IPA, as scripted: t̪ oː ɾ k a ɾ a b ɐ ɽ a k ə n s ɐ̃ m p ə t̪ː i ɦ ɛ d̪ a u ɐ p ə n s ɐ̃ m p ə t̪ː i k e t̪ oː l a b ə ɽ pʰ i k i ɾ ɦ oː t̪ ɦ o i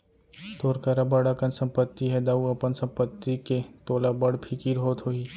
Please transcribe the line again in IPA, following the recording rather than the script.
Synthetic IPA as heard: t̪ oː ɾ k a ɾ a b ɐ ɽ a k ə n s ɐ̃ m p ə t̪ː i ɦ ɛ d̪ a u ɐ p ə n s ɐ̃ m p ə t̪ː i k e t̪ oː l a b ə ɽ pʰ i k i ɾ ɦ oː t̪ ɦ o i